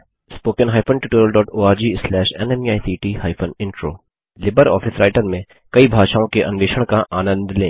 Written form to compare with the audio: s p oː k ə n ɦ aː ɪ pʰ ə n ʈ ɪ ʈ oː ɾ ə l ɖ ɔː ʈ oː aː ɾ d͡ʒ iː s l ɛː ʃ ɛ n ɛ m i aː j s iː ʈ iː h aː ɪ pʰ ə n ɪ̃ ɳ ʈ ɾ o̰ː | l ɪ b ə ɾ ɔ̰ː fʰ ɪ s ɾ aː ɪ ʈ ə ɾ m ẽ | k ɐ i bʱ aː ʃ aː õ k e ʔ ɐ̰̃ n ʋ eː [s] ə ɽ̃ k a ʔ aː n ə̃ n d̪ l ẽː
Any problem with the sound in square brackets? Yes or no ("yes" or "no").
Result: yes